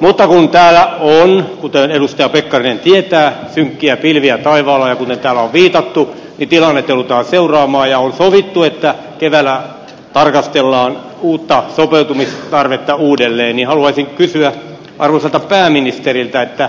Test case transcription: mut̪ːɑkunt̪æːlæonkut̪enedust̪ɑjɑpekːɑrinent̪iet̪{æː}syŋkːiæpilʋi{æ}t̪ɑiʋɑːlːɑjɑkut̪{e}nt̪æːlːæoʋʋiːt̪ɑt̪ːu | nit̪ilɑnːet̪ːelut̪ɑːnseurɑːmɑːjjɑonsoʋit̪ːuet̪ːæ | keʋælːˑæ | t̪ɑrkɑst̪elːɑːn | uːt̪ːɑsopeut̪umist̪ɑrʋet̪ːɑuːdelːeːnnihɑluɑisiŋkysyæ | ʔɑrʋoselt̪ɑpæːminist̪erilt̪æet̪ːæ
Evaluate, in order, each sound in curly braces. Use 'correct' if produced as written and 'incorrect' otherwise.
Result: correct, correct, correct

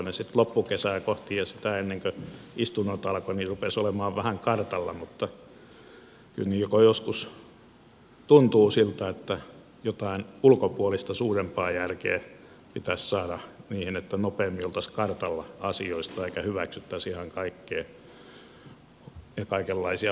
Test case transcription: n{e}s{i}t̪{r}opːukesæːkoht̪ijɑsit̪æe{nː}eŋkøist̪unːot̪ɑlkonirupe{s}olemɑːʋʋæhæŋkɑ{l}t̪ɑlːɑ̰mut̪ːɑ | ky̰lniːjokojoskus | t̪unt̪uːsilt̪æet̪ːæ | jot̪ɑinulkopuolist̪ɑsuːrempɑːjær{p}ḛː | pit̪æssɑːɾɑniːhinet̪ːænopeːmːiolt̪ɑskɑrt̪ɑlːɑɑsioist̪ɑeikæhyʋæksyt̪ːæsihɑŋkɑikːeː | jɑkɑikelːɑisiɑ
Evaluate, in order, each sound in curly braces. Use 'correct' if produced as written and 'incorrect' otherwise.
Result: correct, correct, incorrect, correct, correct, incorrect, incorrect

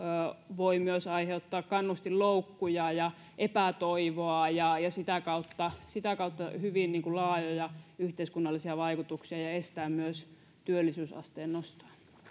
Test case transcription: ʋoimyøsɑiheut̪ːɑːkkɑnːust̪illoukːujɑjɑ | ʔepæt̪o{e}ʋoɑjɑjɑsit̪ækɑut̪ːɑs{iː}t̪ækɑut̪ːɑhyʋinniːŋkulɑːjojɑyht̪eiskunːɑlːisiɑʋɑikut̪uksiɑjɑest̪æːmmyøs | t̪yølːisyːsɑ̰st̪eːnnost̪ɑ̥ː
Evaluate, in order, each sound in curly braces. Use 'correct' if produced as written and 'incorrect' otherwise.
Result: incorrect, incorrect

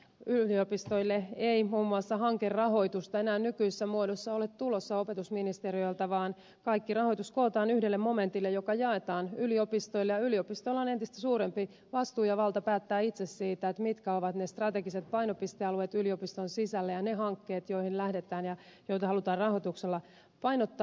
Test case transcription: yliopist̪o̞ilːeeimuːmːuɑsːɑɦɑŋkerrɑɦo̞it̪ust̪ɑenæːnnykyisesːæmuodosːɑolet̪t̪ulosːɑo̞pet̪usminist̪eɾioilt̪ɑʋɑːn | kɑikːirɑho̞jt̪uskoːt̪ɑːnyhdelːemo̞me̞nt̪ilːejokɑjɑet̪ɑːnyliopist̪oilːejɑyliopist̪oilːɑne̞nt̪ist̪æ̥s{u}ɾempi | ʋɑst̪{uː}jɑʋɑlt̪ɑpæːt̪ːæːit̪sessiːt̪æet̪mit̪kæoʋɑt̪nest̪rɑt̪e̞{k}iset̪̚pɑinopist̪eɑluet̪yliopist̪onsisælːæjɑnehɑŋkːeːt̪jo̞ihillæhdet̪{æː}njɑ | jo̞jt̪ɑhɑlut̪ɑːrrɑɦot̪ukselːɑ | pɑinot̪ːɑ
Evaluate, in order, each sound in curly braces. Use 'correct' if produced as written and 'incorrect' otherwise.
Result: incorrect, correct, incorrect, correct

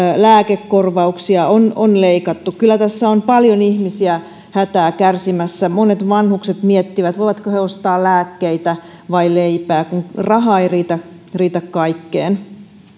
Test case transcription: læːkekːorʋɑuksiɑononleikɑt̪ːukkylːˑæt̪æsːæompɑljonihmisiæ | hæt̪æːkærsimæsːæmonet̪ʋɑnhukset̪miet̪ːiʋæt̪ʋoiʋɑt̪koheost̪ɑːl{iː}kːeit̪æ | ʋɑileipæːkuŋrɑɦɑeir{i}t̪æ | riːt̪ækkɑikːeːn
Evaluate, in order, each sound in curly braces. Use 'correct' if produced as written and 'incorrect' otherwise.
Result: incorrect, incorrect

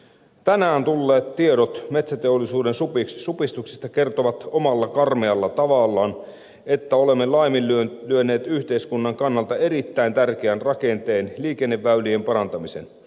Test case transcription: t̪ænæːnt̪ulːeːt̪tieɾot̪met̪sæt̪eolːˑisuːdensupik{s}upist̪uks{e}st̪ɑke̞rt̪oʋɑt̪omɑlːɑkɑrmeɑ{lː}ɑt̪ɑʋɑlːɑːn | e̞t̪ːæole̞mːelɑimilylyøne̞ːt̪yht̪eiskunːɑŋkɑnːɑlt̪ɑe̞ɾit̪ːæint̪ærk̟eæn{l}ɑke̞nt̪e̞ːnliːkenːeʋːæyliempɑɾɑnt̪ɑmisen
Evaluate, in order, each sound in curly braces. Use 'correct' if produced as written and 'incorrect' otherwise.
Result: correct, incorrect, correct, incorrect

